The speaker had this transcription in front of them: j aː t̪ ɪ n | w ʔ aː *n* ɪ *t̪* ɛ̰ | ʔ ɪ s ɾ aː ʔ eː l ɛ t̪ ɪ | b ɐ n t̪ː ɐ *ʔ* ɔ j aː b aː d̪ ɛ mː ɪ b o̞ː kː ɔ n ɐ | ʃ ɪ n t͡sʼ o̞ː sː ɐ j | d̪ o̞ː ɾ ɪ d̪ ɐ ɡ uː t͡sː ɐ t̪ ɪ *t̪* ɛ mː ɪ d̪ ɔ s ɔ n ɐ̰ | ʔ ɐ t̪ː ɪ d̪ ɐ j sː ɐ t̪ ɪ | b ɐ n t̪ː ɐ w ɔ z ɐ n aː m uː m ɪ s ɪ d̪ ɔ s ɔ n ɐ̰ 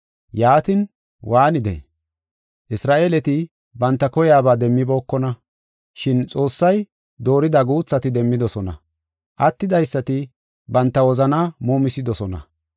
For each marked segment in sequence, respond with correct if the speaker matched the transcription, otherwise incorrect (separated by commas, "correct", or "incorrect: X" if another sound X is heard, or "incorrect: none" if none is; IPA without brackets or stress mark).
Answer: correct, incorrect: d̪, incorrect: k, incorrect: d̪